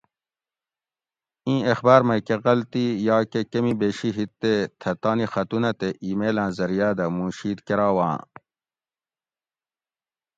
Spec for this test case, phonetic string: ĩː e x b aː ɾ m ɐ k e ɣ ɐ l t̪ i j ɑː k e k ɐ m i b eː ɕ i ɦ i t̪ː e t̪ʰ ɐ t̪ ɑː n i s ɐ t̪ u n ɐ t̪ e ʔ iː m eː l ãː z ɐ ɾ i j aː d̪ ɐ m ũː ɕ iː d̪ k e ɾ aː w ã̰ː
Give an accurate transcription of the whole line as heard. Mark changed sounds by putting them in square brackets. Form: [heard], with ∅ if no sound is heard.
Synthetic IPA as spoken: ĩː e x b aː ɾ m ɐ k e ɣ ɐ l t̪ i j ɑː k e k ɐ m i b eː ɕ i ɦ i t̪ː e t̪ʰ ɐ t̪ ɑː n i [x] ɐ t̪ u n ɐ t̪ e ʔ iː m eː l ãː z ɐ ɾ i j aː d̪ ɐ m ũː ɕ iː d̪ k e ɾ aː w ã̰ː